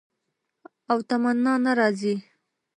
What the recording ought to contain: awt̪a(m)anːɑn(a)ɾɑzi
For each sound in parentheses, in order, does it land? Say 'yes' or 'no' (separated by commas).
yes, yes